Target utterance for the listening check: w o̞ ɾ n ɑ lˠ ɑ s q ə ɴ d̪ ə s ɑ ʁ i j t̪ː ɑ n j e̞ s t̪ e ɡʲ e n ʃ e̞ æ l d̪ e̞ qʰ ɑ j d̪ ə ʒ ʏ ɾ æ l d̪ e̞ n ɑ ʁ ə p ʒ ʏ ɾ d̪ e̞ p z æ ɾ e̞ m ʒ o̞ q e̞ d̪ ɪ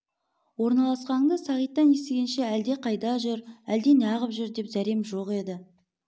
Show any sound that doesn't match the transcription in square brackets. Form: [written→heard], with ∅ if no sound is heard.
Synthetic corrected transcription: w o̞ ɾ n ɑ lˠ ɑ s q [ə→ɑ] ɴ d̪ ə s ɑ ʁ i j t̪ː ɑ n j e̞ s t̪ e ɡʲ e n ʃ e̞ æ l d̪ e̞ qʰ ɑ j d̪ [ə→ɑ] ʒ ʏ ɾ æ l d̪ e̞ n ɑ ʁ ə p ʒ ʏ ɾ d̪ e̞ p z æ ɾ e̞ m ʒ o̞ q e̞ d̪ ɪ